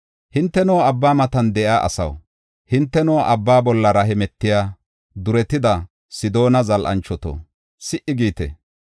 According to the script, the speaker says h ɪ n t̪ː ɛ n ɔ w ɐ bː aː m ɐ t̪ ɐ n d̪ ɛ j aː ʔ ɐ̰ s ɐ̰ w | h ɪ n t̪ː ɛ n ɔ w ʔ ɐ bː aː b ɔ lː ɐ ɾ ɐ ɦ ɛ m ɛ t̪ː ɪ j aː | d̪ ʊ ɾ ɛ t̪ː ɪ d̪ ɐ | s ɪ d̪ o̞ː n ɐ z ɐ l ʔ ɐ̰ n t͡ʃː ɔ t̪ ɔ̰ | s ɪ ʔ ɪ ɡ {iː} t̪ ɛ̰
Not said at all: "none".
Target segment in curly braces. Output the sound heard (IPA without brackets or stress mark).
iː